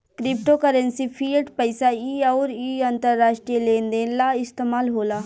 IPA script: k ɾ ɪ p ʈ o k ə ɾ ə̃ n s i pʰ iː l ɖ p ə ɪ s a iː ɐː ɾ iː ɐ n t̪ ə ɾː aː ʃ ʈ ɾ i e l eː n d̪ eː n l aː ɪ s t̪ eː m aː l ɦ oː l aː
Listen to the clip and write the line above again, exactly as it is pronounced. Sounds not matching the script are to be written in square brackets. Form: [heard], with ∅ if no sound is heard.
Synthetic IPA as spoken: k ɾ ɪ p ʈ o k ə ɾ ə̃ n s i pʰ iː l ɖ p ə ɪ s a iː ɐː ɾ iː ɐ n t̪ ə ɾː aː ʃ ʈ ɾ i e l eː n d̪ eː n l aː ɪ s t̪ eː m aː l ɦ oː l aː

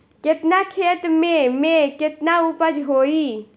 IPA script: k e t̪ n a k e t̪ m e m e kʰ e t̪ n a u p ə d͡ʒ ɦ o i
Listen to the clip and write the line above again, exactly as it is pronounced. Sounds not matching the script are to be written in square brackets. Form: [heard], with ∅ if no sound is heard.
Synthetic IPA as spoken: k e t̪ n a [kʰ] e t̪ m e m e [k] e t̪ n a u p ə d͡ʒ ɦ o i

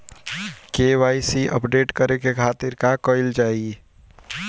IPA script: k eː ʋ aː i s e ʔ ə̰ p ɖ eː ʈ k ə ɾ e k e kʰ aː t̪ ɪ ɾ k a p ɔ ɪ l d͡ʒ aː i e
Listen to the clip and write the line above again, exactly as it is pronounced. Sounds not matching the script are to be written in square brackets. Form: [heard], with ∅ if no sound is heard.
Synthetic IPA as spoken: k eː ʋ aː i s [i] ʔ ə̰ p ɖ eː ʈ k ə ɾ e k e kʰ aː t̪ ɪ ɾ k a [k] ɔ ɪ l d͡ʒ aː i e

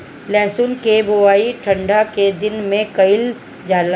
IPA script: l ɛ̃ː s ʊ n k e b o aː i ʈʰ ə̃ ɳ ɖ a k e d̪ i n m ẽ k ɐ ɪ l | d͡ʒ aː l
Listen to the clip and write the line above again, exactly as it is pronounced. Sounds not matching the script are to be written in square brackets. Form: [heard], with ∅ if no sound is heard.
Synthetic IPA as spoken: l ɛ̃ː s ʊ n k e b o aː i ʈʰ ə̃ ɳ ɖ a k e d̪ [ɪ] n m ẽ k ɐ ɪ l | d͡ʒ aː l

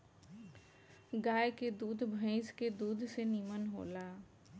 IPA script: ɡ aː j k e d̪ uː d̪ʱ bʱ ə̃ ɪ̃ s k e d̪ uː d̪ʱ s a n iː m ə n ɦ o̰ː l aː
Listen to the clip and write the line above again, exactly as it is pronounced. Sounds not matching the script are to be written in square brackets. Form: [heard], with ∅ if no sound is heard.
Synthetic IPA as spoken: ɡ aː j k e d̪ uː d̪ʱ bʱ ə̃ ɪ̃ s k e d̪ uː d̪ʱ s [e] n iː m ə n ɦ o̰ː l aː

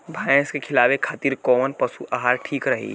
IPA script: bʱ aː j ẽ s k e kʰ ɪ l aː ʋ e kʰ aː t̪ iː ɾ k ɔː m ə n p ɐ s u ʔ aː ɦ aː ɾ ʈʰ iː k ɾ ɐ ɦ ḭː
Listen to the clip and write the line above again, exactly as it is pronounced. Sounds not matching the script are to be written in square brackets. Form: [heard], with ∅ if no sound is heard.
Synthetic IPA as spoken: bʱ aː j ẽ s k e kʰ ɪ l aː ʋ e kʰ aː t̪ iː ɾ k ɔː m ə n p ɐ s u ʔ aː ɦ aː ɾ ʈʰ iː k ɾ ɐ ɦ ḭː

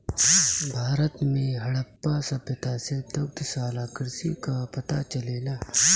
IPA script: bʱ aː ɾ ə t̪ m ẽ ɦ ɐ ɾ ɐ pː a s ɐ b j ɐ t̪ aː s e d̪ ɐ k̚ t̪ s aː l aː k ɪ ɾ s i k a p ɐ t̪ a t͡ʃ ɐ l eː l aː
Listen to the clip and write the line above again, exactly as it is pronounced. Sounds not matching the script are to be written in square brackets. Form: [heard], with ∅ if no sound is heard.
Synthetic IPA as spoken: bʱ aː ɾ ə t̪ m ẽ ɦ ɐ [ɽ] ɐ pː a s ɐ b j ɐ t̪ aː s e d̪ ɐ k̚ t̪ s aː l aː k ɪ ɾ s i k a p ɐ t̪ a t͡ʃ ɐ l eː l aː

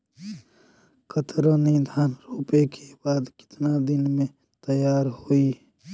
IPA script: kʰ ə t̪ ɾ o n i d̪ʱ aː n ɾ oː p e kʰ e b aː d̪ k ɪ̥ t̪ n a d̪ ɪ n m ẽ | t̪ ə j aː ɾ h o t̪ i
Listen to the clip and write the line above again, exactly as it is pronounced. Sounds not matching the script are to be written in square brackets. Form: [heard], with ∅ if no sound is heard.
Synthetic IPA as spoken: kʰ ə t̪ ɾ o n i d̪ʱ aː n ɾ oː p e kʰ e b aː d̪ k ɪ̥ t̪ n a d̪ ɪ n m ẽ | t̪ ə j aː ɾ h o [∅] i

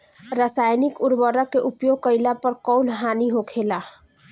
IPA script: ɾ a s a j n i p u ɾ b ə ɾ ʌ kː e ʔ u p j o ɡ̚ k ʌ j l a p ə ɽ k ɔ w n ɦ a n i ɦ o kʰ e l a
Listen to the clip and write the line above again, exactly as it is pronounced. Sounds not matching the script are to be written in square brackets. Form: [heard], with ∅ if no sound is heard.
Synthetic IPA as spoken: ɾ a s a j n i [k] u ɾ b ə ɾ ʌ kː e ʔ u p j o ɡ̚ k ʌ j l a p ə [ɾ] k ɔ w n ɦ a n i ɦ o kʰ e l a

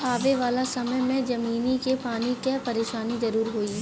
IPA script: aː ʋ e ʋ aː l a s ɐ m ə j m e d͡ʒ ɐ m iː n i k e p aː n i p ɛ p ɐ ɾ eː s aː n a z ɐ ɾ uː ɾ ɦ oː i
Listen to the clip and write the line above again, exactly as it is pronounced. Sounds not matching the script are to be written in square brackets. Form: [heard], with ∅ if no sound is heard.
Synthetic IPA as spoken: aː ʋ e ʋ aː l a s ɐ m ə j m [ẽ] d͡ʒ ɐ m iː n i k e p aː n i [k] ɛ p ɐ ɾ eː [ʃ] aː n [i] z ɐ ɾ uː ɾ ɦ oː i

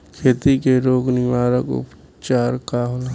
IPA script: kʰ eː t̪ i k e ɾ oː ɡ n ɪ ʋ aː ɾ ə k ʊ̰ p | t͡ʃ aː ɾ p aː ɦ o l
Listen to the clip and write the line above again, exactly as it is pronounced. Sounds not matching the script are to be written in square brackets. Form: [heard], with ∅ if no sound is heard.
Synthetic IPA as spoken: kʰ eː t̪ i k e ɾ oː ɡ n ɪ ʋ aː ɾ ə k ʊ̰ p | t͡ʃ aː ɾ [k] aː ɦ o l

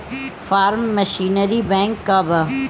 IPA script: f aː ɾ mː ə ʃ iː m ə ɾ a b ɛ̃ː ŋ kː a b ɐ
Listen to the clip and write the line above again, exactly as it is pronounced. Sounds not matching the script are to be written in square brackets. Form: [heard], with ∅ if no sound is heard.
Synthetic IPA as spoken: f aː ɾ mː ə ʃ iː [n] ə ɾ [i] b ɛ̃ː ŋ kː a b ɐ

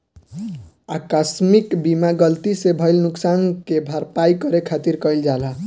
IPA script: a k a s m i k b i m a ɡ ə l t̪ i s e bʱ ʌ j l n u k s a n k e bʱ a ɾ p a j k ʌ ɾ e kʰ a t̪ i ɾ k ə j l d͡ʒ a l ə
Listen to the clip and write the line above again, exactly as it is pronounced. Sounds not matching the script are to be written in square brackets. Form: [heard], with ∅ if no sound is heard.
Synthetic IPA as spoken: a k a s m i k b i m a ɡ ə l t̪ i s e bʱ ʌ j l n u k s a n k e bʱ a ɾ p a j k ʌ ɾ e kʰ a t̪ i ɾ k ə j l d͡ʒ a l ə

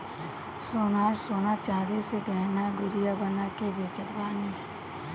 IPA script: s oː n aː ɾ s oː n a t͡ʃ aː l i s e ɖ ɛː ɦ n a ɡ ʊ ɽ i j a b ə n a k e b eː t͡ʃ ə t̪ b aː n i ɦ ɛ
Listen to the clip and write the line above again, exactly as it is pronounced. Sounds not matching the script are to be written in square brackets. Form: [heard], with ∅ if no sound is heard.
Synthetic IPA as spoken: s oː n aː ɾ s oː n a t͡ʃ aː [ɾ] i s e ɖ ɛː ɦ n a ɡ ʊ [ɾ] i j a b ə n a k e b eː t͡ʃ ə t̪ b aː n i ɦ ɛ

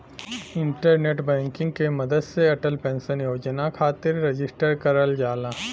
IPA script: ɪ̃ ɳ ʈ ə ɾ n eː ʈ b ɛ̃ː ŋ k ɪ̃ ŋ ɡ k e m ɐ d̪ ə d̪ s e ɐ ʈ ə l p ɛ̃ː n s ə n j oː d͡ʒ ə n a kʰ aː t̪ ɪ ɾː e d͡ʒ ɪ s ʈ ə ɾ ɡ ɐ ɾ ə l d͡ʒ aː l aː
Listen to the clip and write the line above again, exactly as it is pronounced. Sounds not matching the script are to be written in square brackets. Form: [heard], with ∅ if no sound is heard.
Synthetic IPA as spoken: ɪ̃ ɳ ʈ ə ɾ n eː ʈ b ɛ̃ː ŋ k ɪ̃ ŋ ɡ k e m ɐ d̪ ə d̪ s e ɐ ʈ ə l p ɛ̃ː n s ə n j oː d͡ʒ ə n a kʰ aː t̪ ɪ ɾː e d͡ʒ ɪ s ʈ ə ɾ [k] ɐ ɾ ə l d͡ʒ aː l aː

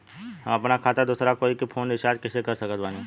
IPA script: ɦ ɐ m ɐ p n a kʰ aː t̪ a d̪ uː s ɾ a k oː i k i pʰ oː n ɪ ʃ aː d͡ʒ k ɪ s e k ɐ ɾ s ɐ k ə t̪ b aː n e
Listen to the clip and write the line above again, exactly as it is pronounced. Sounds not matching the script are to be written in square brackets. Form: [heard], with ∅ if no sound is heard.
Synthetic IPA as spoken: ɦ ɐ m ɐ p n a kʰ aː t̪ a d̪ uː s ɾ a k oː i k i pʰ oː n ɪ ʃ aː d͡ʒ k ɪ s e k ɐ ɾ s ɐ k ə t̪ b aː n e

